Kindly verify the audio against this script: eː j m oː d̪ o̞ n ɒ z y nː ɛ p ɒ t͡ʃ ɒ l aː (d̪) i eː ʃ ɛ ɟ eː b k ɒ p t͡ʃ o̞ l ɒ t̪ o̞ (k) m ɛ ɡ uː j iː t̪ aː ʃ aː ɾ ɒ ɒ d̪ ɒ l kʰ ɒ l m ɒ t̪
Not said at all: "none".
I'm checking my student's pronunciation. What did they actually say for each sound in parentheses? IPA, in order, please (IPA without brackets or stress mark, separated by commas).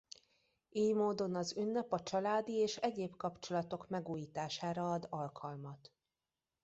d̪, k